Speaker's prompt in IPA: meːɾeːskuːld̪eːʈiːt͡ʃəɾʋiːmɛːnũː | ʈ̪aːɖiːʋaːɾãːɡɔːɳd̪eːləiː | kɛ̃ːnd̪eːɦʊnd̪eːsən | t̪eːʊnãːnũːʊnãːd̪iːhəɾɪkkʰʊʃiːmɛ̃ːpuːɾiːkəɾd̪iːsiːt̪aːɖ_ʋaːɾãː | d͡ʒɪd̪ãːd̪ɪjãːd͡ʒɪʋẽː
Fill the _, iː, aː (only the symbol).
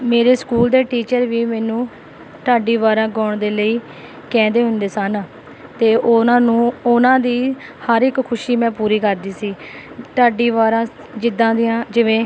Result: iː